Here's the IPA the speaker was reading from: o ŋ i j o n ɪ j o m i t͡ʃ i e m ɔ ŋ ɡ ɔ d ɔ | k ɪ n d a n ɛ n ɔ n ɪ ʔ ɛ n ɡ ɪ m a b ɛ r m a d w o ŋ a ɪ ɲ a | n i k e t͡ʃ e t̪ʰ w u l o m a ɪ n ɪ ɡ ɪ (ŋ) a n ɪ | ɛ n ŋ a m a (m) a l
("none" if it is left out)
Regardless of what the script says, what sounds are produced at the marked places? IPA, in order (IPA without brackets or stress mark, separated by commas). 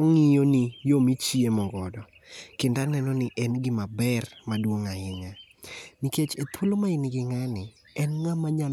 ŋ, ɲ